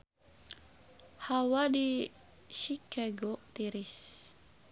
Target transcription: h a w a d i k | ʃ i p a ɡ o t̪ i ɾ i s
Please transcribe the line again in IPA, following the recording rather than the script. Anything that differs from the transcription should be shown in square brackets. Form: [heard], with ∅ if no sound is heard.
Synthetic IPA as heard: h a w a d i [∅] | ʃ i [k] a ɡ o t̪ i ɾ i s